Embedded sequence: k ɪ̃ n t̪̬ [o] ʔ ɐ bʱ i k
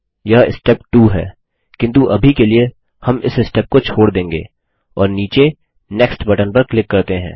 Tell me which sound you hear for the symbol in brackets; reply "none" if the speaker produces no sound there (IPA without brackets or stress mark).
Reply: u